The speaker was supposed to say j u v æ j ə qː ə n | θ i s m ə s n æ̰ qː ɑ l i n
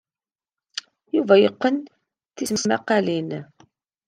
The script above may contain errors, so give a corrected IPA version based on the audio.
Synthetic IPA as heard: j u v æ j ə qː ə n | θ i s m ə s m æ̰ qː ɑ l i n